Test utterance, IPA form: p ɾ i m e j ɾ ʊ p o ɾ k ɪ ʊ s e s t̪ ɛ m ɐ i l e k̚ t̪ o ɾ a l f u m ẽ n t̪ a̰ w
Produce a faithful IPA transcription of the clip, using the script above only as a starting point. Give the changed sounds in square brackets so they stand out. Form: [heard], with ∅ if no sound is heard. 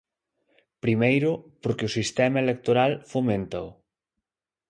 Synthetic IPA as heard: p ɾ i m e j ɾ ʊ p o ɾ k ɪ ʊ s [i] s t̪ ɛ m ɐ [e] l e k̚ t̪ o ɾ a l f [o] m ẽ n t̪ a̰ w